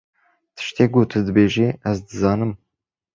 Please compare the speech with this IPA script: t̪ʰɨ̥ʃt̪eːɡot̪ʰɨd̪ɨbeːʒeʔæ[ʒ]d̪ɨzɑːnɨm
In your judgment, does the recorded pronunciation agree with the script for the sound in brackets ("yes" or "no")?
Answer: no